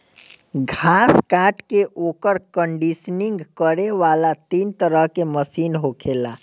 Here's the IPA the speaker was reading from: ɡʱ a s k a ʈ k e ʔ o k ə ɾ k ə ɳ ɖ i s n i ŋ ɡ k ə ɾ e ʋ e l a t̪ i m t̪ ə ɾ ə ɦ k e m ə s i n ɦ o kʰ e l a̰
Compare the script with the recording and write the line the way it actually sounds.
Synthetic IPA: ɡʱ a s k a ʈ k e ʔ o k ə ɾ k ə ɳ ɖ i s n i ŋ ɡ k ə ɾ e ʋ a l a t̪ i n t̪ ə ɾ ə ɦ k e m ə s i n ɦ o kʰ e l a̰